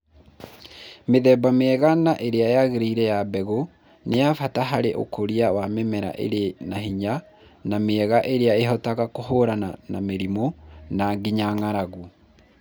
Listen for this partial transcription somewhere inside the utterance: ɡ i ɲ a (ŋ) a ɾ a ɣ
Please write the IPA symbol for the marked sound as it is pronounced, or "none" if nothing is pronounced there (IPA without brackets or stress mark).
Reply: ŋ